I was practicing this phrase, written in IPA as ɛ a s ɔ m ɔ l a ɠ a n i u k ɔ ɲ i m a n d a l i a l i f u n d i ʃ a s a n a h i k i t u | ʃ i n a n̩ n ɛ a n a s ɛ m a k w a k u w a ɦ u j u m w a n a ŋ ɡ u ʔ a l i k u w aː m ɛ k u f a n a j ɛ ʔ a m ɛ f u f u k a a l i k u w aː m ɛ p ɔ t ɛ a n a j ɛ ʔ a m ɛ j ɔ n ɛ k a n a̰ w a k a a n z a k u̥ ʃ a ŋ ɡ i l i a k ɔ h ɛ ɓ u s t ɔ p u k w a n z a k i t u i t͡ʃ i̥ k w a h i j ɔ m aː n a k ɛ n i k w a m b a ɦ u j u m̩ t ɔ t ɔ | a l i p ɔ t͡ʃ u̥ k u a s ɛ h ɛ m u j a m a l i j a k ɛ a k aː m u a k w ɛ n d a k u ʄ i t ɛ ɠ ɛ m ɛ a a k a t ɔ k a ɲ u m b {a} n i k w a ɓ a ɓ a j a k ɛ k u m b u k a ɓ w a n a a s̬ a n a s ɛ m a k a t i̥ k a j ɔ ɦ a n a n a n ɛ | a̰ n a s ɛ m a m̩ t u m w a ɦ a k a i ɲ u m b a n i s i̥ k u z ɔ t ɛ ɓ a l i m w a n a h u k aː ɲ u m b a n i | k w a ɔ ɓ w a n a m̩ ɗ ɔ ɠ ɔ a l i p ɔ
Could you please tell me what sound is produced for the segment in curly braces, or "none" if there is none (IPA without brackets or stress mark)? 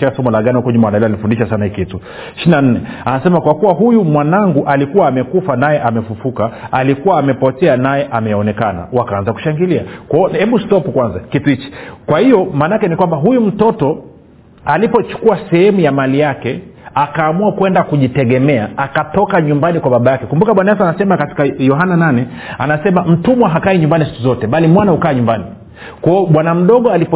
a